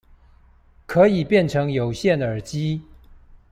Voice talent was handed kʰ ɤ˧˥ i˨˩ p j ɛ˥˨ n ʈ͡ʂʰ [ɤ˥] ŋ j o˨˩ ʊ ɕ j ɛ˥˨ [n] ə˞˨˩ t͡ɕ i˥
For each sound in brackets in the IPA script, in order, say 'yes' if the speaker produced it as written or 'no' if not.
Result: no, yes

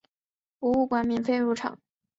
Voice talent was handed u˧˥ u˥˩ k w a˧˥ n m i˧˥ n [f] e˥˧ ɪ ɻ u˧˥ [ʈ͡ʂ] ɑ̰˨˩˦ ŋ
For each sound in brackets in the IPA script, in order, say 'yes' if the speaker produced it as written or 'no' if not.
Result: yes, no

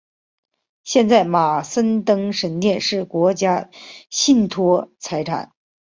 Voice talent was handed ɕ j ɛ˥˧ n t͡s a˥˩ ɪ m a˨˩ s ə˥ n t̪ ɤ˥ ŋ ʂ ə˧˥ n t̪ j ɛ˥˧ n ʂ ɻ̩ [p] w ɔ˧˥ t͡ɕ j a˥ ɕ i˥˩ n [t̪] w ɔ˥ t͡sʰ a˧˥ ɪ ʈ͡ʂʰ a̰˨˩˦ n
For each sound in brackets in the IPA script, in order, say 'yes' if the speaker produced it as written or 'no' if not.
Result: no, no

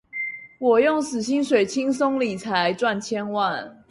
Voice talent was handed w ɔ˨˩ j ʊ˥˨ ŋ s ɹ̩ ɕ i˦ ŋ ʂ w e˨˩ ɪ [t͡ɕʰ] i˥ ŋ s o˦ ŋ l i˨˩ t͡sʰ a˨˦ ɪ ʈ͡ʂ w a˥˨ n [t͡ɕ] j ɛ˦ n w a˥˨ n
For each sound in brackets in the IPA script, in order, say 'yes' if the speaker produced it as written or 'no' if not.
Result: yes, no

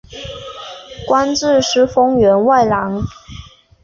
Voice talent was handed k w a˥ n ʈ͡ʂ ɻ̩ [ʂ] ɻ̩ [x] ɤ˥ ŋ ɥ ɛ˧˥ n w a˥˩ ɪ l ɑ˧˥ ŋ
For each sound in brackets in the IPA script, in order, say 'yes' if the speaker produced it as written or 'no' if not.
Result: yes, no

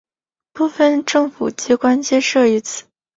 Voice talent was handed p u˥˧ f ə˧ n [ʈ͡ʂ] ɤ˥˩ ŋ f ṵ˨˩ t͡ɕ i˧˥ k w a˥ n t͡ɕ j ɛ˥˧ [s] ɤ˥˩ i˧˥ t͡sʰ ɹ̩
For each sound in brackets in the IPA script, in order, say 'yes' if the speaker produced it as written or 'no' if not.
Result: yes, no

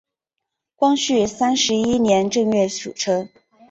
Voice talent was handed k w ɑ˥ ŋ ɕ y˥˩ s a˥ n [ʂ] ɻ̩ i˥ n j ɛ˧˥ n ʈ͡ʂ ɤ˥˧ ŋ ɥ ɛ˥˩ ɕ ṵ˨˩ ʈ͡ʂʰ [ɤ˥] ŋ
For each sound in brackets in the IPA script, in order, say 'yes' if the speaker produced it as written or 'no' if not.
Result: yes, yes

